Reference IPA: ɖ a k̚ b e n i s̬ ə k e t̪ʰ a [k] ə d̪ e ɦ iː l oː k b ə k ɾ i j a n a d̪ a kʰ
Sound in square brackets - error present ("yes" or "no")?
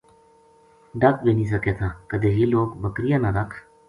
no